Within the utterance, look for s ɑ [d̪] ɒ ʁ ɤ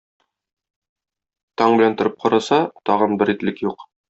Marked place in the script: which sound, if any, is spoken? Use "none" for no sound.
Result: t̪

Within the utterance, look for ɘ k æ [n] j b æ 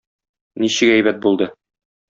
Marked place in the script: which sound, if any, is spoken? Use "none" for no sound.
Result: none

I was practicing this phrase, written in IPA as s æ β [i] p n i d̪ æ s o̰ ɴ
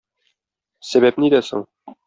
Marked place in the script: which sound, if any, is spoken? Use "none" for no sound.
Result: æ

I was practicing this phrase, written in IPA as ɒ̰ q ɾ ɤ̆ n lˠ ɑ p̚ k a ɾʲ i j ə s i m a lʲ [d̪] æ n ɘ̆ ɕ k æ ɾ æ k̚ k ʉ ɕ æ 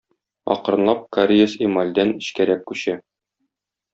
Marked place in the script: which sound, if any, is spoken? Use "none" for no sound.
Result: d̪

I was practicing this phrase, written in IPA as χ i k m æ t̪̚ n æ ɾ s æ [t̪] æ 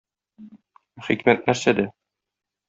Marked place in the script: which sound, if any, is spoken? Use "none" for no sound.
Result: d̪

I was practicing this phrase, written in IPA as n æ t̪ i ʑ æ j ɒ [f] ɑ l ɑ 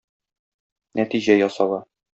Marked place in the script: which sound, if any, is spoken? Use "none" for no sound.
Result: s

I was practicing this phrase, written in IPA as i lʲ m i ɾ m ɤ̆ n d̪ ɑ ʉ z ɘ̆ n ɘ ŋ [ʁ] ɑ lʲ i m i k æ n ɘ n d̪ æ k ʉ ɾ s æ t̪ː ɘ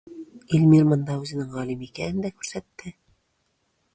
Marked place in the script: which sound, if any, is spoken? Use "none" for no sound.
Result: ʁ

